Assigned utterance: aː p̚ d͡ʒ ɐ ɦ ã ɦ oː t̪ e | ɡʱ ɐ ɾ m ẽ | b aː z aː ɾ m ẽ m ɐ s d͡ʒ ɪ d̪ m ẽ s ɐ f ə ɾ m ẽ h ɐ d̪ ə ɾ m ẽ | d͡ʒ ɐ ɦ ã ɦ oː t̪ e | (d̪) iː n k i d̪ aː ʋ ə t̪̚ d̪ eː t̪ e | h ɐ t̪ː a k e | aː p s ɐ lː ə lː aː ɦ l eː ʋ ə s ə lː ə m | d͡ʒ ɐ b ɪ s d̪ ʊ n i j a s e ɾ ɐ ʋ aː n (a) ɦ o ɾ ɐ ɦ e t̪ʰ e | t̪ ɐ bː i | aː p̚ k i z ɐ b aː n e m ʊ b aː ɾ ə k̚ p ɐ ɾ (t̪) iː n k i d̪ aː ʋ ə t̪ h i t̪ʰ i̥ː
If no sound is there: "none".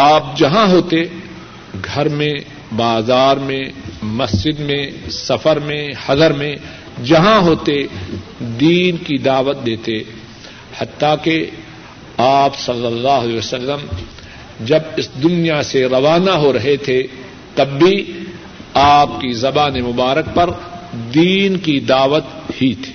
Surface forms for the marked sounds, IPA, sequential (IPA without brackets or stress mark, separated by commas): d̪, a, d̪